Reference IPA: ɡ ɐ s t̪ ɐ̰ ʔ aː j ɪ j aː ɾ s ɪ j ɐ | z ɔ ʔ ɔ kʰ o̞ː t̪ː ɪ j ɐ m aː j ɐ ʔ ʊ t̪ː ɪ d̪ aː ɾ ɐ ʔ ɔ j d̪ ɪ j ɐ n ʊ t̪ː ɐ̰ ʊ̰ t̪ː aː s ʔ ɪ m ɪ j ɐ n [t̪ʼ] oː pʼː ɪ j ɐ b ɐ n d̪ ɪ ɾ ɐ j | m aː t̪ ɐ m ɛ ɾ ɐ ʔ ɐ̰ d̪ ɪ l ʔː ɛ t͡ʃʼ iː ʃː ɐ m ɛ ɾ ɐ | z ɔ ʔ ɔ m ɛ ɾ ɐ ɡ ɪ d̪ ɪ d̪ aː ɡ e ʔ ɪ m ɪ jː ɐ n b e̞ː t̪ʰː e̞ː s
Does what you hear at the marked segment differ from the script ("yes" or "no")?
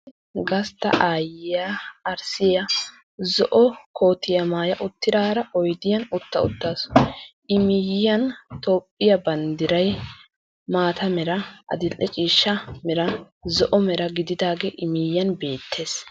yes